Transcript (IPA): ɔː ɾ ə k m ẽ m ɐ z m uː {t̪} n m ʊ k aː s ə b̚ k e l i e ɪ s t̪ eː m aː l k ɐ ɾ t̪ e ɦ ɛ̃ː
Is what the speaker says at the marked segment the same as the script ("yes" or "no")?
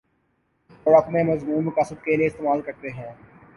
no